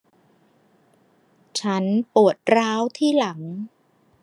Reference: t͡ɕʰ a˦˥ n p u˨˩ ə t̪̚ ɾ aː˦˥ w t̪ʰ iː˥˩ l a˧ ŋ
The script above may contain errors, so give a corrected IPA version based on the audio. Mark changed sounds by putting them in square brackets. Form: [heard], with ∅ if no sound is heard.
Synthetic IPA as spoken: t͡ɕʰ a˦˥ n p u˨˩ ə t̪̚ ɾ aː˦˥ w t̪ʰ iː˥˩ l [a˩˦] ŋ